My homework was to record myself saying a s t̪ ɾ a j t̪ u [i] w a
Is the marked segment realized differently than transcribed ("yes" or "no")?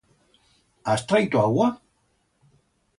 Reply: yes